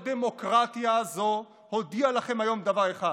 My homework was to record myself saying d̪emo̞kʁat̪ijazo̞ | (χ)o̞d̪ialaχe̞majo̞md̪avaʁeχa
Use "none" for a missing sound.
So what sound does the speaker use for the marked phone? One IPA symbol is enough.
h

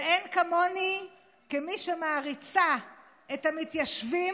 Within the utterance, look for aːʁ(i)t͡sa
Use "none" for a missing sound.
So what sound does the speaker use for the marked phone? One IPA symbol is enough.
i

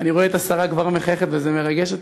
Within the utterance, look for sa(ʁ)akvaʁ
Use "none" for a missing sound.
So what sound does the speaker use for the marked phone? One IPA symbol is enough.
ʁ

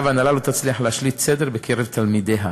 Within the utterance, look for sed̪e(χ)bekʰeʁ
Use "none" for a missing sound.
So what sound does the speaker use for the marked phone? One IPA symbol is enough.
ʁ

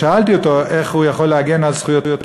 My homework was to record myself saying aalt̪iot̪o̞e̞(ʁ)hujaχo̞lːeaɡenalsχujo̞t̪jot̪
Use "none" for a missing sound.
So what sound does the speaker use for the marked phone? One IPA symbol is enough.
χ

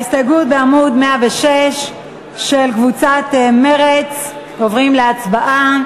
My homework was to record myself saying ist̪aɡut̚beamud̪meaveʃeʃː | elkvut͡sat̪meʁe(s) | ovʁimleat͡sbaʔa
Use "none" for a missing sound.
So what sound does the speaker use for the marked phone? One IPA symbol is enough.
t͡s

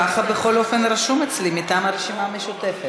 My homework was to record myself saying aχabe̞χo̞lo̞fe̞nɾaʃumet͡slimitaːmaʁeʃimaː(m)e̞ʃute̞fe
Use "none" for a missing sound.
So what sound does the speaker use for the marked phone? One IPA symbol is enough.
m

